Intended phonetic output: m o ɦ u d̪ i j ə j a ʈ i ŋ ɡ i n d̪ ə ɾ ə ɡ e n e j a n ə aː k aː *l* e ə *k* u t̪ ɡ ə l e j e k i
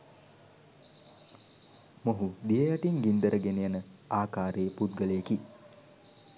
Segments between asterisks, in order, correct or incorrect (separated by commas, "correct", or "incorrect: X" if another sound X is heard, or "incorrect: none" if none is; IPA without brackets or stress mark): incorrect: ɾ, incorrect: p